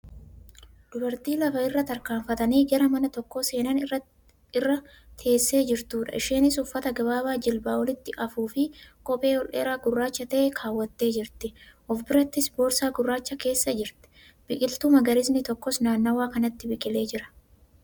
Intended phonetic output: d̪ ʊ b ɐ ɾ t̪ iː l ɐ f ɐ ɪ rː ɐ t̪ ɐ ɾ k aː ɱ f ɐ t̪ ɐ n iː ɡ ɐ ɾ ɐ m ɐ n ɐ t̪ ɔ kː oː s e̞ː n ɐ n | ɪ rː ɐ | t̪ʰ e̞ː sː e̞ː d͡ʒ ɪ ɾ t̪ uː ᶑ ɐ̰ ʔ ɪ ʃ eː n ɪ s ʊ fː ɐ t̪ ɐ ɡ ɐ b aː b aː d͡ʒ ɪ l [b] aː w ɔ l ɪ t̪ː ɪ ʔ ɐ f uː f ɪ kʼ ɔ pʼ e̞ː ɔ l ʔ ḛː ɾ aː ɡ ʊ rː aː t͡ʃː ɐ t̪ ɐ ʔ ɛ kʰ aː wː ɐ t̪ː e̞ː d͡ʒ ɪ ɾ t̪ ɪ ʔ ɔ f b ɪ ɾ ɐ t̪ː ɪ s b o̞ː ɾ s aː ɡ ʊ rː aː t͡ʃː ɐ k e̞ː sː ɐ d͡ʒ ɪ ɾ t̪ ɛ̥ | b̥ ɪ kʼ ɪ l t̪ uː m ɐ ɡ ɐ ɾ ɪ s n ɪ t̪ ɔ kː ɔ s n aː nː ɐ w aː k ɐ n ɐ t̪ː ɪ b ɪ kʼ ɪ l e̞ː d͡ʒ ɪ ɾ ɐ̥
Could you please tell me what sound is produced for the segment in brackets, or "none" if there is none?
b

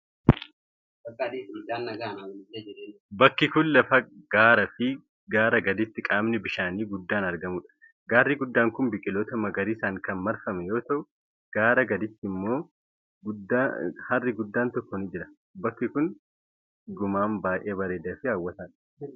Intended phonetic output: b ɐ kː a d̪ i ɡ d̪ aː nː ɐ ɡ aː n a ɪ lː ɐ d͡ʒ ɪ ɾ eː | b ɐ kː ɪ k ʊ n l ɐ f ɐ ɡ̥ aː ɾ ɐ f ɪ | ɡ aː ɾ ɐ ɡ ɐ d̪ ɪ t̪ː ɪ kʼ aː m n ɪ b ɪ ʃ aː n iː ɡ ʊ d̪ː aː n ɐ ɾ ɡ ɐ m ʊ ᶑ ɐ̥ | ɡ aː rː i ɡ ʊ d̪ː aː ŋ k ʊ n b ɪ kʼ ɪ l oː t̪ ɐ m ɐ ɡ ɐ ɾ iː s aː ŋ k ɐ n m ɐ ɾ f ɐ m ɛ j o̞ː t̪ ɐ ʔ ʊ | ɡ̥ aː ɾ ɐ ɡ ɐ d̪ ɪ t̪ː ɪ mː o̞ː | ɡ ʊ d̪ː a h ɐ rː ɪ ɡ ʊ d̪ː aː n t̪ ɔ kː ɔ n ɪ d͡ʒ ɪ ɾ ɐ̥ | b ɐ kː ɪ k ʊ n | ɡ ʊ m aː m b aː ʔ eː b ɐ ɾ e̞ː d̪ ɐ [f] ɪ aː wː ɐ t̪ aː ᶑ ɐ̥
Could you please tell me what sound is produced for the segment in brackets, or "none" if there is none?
f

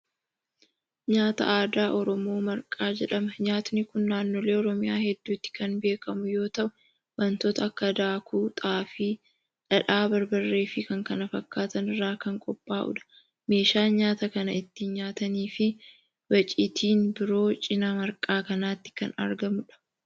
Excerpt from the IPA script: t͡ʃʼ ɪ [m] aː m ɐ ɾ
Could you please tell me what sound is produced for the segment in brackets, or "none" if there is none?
n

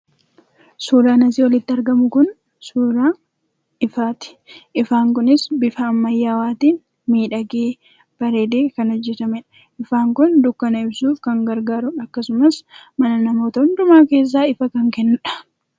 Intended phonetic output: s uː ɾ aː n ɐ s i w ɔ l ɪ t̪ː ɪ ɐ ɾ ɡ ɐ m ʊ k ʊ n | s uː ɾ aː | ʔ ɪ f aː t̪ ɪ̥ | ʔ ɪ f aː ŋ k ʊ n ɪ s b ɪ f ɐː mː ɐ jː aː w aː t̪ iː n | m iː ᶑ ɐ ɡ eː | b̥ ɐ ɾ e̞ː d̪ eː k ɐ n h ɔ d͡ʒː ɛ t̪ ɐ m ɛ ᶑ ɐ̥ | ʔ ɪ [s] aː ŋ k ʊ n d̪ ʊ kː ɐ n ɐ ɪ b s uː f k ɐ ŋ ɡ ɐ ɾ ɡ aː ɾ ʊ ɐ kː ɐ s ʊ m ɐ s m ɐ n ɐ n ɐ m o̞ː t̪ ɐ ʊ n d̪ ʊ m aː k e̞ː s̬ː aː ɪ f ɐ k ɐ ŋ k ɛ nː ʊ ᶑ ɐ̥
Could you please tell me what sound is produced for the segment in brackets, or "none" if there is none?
f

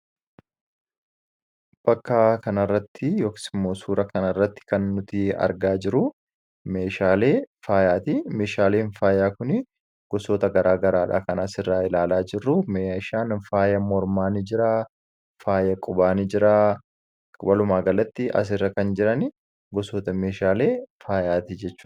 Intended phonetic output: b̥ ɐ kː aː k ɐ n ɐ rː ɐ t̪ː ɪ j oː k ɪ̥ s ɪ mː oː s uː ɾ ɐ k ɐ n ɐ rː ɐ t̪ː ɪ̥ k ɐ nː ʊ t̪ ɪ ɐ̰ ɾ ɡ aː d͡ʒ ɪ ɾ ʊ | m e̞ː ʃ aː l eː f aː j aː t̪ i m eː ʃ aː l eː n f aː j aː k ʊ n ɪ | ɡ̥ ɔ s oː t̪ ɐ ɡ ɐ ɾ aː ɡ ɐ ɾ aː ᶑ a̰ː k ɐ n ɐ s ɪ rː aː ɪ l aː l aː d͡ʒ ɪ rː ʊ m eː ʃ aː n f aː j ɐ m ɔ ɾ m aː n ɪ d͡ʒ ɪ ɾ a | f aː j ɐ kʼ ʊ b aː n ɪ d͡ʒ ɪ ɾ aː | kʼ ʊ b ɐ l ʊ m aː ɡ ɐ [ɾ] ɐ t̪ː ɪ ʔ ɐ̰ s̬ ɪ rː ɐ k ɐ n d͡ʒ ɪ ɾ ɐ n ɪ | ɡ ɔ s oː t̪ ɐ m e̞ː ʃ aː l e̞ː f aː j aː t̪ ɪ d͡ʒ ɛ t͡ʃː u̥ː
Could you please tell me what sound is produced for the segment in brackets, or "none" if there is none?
l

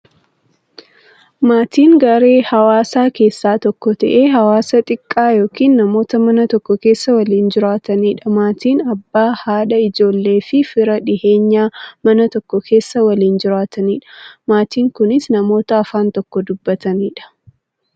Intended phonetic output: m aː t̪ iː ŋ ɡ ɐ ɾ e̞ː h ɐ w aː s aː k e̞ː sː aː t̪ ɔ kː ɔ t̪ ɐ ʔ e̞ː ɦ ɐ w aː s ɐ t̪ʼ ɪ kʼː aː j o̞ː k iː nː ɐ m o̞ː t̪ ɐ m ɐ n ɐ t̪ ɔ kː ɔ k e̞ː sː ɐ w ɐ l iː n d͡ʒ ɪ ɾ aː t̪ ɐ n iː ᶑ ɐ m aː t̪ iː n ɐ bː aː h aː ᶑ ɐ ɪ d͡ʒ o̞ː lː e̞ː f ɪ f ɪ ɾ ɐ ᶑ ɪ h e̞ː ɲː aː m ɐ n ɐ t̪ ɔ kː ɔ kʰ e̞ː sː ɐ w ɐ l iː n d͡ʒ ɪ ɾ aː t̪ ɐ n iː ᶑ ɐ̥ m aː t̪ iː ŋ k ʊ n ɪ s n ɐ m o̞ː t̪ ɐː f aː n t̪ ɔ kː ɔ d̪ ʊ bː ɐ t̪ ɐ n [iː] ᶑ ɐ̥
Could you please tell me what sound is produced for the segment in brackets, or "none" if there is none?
iː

